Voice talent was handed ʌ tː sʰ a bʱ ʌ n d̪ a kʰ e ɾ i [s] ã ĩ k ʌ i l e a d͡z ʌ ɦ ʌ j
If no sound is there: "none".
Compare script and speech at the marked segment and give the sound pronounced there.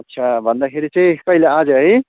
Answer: t͡s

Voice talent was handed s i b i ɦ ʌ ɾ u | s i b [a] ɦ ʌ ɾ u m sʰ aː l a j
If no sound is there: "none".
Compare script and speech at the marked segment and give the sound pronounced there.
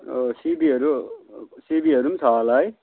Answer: i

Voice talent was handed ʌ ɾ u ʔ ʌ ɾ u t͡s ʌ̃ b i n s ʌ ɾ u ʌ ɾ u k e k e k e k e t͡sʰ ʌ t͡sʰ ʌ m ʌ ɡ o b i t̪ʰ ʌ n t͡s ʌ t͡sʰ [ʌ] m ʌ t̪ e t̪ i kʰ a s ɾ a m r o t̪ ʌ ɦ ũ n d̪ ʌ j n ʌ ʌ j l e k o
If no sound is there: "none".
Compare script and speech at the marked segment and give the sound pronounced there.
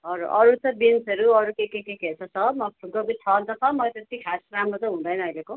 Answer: ʌ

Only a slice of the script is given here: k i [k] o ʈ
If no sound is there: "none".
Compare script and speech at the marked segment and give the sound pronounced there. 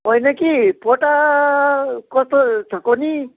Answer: p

